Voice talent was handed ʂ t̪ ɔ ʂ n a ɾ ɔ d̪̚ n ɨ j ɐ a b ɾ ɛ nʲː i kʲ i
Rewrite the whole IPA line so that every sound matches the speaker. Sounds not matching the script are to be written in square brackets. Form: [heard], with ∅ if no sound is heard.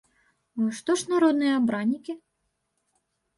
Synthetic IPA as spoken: ʂ t̪ ɔ ʂ n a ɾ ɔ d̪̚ n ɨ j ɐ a b ɾ [a] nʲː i kʲ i